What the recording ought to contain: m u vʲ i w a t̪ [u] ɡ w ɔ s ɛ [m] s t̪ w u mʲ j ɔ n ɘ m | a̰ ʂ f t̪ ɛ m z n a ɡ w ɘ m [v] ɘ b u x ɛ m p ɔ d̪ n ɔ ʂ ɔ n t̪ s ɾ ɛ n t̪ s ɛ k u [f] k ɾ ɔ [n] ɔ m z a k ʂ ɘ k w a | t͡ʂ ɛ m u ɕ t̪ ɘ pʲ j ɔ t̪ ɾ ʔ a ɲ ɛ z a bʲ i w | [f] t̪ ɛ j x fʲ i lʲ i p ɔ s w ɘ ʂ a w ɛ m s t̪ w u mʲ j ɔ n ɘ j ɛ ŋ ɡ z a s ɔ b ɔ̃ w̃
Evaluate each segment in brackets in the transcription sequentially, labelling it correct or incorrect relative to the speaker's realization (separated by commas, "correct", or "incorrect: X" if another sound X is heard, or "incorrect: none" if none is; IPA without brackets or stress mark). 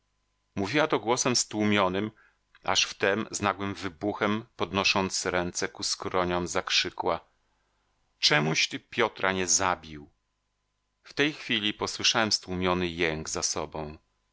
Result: incorrect: ɔ, correct, correct, incorrect: s, incorrect: ɲ, correct